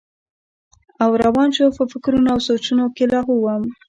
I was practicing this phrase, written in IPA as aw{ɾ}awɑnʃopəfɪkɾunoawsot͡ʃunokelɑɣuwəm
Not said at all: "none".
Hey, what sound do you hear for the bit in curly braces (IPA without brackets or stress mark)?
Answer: ɾ